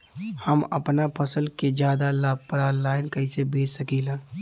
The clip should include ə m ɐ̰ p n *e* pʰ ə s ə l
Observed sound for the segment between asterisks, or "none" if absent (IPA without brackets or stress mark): a